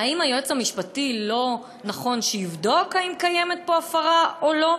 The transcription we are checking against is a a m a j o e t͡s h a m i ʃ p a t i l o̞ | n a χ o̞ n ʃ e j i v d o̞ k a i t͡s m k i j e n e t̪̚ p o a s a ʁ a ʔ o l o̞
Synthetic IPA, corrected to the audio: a i m a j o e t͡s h a m i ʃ p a t i l o̞ | n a χ o̞ n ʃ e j i v d o̞ k a i m k a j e m e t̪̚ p o a f a ʁ a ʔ o l o̞